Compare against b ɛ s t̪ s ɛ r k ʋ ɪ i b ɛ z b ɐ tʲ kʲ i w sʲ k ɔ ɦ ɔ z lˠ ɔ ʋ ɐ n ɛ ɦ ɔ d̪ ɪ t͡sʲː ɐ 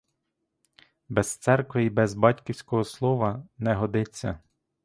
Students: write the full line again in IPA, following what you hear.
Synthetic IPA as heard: b ɛ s t̪ s ɛ r k ʋ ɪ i b ɛ z b ɑ tʲ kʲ i w sʲ k ɔ ɦ ɔ s lˠ ɔ ʋ ɐ n ɛ ɦ ɔ d̪ ɪ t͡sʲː ɐ